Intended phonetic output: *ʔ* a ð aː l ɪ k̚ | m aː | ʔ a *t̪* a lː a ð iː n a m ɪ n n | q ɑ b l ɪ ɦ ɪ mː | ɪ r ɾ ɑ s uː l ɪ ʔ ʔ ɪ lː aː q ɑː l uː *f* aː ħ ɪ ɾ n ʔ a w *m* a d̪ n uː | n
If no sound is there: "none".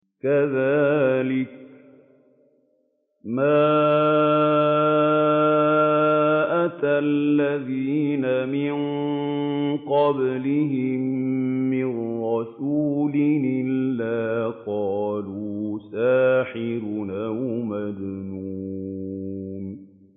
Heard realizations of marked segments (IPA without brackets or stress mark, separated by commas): k, t̪, s, m